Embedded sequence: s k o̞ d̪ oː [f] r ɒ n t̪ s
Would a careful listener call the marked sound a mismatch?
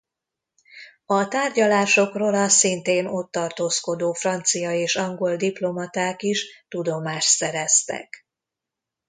no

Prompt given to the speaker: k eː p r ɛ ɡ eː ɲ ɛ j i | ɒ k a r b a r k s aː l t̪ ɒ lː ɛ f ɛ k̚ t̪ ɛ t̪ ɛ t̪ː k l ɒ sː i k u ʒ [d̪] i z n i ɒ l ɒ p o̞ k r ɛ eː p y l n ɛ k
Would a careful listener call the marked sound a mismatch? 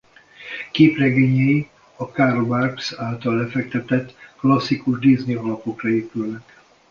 no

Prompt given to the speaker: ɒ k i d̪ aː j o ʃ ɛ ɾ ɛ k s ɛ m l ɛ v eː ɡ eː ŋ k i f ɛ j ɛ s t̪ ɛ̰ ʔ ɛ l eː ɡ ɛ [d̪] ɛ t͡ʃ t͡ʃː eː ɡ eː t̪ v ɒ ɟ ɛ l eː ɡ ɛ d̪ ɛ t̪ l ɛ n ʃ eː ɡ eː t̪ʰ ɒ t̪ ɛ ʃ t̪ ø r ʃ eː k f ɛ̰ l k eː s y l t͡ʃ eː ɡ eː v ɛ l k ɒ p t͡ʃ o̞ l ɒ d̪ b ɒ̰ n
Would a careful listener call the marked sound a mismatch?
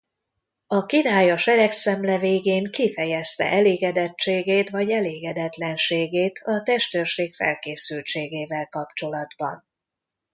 no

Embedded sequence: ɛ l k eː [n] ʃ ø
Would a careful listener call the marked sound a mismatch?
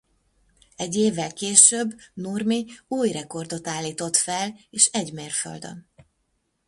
yes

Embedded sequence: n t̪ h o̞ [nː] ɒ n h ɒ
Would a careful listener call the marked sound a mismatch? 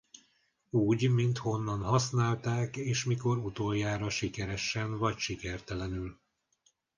no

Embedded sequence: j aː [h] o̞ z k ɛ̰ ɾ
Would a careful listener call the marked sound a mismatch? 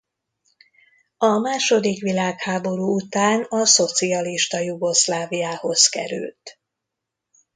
no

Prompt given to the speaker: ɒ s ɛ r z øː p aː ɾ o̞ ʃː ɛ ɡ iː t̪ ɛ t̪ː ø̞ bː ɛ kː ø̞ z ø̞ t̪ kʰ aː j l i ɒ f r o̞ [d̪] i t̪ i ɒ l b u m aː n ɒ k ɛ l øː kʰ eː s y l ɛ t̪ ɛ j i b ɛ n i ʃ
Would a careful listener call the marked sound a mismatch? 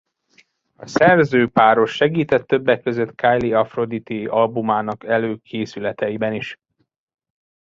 no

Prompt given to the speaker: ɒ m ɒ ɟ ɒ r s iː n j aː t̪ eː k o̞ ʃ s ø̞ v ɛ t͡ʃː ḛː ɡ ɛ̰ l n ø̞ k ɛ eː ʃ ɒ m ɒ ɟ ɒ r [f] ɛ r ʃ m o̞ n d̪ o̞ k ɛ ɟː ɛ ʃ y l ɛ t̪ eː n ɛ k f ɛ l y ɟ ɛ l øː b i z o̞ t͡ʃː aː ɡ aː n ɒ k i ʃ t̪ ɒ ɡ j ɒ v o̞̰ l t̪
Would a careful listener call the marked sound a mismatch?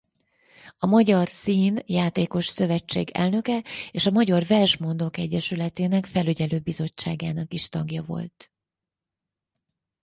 yes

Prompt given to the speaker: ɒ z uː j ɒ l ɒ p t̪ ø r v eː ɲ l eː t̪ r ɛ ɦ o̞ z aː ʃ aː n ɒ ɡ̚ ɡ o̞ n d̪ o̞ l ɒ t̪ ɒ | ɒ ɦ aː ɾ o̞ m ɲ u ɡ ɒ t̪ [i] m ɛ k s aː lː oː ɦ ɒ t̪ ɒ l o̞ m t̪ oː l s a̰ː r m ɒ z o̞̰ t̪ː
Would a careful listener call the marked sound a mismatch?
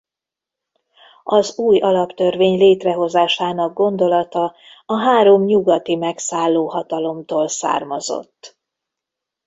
no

